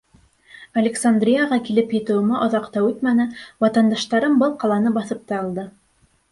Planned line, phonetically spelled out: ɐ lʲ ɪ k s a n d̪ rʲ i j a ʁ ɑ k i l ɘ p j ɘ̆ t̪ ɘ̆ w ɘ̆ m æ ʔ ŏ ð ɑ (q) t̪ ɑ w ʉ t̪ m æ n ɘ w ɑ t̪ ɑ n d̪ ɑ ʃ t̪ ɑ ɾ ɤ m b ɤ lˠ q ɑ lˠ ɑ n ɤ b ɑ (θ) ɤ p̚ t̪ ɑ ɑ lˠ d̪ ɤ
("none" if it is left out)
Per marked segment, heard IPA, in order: q, θ

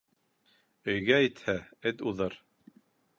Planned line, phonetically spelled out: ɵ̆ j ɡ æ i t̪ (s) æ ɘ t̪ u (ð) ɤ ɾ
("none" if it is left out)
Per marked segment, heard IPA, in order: h, ð

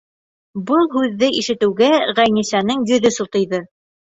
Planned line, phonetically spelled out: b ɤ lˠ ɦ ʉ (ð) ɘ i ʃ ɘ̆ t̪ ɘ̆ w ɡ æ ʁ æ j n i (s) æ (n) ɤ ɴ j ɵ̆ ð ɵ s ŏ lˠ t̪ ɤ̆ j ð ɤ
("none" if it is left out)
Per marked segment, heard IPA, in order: ðː, s, n

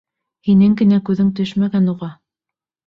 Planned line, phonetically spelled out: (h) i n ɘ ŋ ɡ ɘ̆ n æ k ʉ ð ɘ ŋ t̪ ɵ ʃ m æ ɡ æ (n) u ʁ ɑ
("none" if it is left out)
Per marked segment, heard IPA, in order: h, n

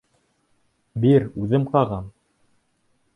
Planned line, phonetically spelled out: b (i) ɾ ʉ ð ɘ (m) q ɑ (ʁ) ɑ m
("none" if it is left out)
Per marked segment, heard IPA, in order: i, m, ʁ

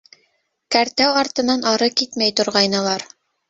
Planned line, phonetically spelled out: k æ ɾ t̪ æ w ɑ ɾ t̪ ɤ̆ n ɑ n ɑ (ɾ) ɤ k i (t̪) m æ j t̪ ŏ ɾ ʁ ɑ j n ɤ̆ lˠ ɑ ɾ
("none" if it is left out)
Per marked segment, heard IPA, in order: ɾ, t̪

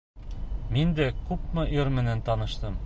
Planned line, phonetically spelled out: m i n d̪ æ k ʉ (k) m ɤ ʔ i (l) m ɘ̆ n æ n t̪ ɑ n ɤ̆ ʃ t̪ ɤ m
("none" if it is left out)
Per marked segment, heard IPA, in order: p, ɾ

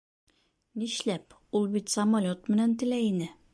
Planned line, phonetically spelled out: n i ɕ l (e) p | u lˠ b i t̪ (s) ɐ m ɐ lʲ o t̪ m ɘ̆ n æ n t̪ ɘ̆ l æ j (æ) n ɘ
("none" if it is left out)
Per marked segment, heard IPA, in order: æ, s, i

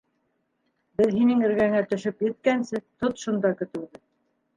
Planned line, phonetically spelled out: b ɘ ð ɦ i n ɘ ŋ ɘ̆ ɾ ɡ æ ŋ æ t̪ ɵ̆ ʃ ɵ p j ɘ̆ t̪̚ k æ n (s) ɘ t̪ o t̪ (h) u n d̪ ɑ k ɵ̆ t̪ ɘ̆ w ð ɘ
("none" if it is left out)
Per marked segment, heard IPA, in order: s, ʃ

